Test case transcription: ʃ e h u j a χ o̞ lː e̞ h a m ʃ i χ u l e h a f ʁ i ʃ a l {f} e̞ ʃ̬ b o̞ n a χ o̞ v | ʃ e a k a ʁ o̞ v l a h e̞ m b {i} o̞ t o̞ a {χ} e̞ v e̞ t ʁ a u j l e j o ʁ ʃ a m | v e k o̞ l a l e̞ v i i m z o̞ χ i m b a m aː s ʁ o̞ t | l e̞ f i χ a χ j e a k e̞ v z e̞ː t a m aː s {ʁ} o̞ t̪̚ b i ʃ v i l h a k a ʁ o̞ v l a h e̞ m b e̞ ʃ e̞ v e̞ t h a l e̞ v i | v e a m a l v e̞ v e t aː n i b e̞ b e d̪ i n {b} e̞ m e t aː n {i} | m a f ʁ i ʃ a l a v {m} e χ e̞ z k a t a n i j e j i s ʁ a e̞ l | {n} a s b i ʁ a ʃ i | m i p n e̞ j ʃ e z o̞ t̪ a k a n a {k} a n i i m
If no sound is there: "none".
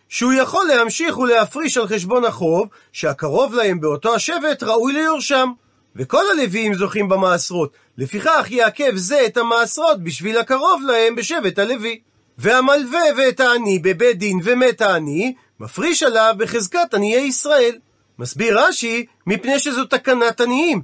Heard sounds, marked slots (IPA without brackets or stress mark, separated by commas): χ, e, ʃ, ʁ, v, i, b, m, t